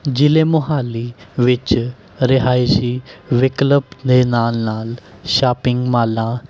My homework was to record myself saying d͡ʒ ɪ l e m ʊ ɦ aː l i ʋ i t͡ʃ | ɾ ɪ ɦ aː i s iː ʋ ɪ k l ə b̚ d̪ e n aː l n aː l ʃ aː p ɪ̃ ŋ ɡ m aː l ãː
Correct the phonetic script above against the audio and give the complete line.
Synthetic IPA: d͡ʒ ɪ l e m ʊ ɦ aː l i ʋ ɪ t͡ʃ | ɾ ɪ ɦ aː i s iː ʋ ɪ k l ə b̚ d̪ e n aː l n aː l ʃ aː p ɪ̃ ŋ ɡ m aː l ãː